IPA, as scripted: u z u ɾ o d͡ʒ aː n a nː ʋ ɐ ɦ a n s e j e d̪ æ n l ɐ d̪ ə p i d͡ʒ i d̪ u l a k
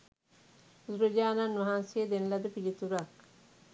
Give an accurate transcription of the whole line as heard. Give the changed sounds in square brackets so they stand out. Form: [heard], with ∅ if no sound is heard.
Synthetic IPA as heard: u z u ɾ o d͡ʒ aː n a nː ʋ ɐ ɦ a n s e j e d̪ [e] n l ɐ d̪ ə p i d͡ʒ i [t̪] u [ɾ] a k